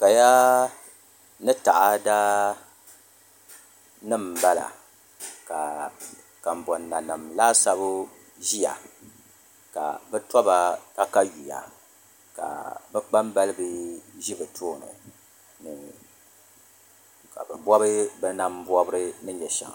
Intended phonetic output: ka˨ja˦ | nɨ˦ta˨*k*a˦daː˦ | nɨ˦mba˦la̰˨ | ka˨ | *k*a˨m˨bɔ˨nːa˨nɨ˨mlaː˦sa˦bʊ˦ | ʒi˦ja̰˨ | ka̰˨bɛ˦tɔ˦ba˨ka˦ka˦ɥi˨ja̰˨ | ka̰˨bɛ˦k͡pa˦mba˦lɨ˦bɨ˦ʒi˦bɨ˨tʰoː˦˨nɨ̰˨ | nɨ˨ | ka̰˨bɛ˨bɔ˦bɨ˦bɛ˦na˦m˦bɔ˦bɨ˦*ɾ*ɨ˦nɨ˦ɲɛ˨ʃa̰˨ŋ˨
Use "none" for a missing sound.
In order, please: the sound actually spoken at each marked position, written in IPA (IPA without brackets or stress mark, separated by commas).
ʔ, k, ɾ